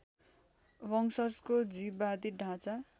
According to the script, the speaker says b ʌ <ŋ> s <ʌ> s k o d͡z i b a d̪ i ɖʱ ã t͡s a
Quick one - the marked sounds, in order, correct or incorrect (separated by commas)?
correct, correct